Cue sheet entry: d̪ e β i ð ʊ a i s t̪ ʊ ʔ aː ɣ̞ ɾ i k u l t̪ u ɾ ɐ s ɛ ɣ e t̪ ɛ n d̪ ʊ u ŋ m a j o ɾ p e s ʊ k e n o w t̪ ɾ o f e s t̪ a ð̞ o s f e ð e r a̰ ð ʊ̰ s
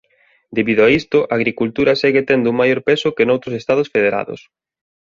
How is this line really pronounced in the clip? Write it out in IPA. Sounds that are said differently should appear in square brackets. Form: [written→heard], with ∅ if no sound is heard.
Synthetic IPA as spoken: d̪ e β i ð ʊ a i s t̪ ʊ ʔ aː ɣ̞ ɾ i k u l t̪ u ɾ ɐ s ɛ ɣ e t̪ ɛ n d̪ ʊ u ŋ m a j o ɾ p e s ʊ k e n o w t̪ ɾ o [f→s] e s t̪ a ð̞ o s f e ð e [r→ɾ] a̰ ð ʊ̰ s